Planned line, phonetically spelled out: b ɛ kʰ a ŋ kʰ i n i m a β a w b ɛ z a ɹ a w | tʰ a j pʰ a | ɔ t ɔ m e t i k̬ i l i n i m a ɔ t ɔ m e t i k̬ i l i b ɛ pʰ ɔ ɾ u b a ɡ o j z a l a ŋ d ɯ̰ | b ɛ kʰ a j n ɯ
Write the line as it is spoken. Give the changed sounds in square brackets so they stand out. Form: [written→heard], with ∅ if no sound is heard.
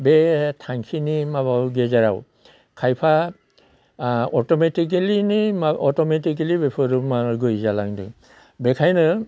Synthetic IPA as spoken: b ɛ [kʰ→tʰ] a ŋ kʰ i n i m a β a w [b→ɡ] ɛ z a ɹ a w | [tʰ→kʰ] a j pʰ a | ɔ t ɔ m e t i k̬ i l i n i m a ɔ t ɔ m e t i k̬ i l i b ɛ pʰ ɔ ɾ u [b→m] a ɡ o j z a l a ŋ d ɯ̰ | b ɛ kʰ a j n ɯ